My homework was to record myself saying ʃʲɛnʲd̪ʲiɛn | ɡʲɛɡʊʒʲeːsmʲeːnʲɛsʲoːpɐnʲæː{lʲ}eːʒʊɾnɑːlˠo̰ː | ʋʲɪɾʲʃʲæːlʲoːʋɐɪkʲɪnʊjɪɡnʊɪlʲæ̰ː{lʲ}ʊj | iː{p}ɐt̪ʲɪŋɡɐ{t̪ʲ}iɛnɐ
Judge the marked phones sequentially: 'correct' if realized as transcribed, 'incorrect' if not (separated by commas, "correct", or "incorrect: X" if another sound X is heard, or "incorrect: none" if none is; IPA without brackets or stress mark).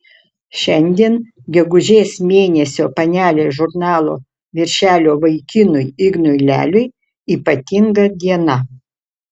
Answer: correct, correct, correct, incorrect: d̪ʲ